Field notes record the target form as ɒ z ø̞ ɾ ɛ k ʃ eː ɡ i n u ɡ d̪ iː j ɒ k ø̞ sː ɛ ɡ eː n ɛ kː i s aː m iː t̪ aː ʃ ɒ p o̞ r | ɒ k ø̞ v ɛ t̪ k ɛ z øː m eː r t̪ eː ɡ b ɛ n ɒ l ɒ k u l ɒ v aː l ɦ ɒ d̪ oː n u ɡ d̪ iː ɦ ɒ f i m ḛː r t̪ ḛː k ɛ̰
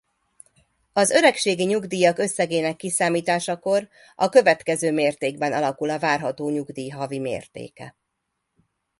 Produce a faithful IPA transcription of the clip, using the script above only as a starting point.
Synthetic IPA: ɒ z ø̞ ɾ ɛ k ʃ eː ɡ i ɲ u ɡ d̪ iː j ɒ k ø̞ sː ɛ ɡ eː n ɛ kː i s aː m iː t̪ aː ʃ ɒ k o̞ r | ɒ k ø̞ v ɛ t̪ k ɛ z øː m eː r t̪ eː ɡ b ɛ n ɒ l ɒ k u l ɒ v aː r ɦ ɒ t̪ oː ɲ u ɡ d̪ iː ɦ ɒ v i m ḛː r t̪ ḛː k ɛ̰